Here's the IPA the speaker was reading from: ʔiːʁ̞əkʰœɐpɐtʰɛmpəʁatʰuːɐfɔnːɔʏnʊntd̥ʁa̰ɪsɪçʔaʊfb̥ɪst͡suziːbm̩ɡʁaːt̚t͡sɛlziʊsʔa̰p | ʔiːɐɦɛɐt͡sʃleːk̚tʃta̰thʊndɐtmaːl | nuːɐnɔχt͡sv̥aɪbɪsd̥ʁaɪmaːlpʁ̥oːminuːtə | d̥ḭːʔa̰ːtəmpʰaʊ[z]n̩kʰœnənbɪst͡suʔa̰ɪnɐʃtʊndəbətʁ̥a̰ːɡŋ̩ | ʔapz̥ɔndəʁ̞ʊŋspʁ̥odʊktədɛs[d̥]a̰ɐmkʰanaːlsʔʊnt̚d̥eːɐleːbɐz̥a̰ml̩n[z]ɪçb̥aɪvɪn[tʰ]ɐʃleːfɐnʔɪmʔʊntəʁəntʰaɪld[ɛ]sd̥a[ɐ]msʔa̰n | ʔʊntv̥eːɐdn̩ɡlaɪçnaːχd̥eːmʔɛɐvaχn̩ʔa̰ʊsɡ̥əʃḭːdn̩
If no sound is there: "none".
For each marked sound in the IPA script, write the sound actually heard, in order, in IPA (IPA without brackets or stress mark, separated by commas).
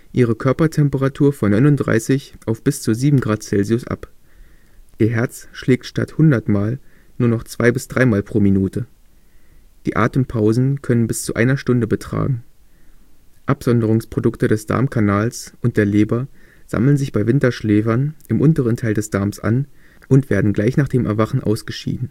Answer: z, d̥, z, t, ɛ, ɐ